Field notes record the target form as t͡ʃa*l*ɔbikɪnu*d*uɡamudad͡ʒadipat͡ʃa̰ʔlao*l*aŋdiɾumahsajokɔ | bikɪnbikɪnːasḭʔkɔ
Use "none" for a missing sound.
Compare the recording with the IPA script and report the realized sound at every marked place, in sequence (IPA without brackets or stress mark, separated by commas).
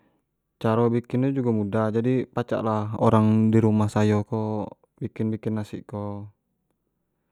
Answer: ɾ, d͡ʒ, ɾ